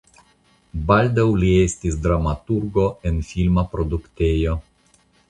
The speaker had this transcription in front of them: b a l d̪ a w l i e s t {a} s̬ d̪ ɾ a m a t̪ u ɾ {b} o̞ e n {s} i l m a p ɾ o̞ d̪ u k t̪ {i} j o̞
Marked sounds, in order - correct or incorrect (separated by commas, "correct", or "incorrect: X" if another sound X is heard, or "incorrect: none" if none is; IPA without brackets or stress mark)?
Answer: incorrect: i, incorrect: ɡ, incorrect: f, incorrect: e